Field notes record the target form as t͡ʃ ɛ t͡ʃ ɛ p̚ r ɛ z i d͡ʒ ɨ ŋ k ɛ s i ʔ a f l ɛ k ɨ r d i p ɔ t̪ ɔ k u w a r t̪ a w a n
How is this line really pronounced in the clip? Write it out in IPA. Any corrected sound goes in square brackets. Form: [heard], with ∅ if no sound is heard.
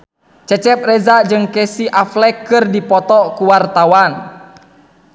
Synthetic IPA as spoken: t͡ʃ ɛ t͡ʃ ɛ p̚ r ɛ z [a] d͡ʒ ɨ ŋ k ɛ s i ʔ a f l ɛ k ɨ r d i p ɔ t̪ ɔ k u w a r t̪ a w a n